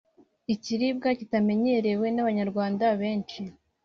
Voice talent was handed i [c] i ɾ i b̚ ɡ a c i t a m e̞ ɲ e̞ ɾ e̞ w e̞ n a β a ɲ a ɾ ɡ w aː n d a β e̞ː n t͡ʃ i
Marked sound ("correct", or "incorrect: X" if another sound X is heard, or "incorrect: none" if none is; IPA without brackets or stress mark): correct